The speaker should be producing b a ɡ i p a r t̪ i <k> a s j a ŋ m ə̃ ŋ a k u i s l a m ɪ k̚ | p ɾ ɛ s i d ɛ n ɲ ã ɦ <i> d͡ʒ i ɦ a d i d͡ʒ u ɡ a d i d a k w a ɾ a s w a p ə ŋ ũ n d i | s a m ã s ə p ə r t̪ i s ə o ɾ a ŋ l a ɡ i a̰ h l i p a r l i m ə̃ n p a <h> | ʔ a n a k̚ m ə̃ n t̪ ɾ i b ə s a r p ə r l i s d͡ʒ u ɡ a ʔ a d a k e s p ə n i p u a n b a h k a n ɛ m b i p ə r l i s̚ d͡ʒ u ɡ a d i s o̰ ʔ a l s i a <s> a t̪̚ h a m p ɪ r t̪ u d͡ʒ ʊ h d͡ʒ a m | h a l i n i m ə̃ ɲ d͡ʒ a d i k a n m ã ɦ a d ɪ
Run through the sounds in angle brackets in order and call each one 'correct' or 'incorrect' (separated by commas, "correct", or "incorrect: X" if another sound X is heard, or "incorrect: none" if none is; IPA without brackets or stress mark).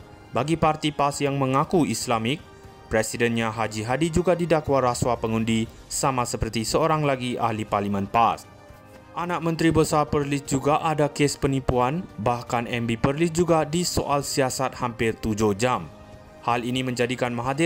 incorrect: p, incorrect: a, incorrect: s, correct